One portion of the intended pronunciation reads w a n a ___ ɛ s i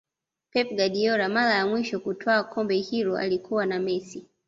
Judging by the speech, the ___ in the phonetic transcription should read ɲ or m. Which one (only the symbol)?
m